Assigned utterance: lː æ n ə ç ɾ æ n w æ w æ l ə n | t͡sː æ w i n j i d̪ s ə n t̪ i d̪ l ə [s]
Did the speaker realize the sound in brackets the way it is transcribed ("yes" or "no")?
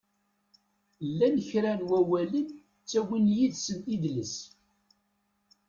yes